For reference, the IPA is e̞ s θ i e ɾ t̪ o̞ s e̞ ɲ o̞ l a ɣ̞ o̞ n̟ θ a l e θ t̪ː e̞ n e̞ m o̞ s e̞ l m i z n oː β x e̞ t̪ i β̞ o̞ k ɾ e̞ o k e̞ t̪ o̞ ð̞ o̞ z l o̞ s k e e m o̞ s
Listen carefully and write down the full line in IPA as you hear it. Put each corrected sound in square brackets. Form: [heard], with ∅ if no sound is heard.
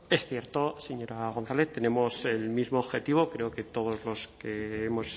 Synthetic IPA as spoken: e̞ s θ [j] e ɾ t̪ o̞ s e̞ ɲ o̞ [ɾ] a ɣ̞ o̞ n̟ θ a l e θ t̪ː e̞ n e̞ m o̞ s e̞ l m i z [m] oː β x e̞ t̪ i β̞ o̞ k ɾ e̞ o k e̞ t̪ o̞ ð̞ o̞ z l o̞ s k e e m o̞ s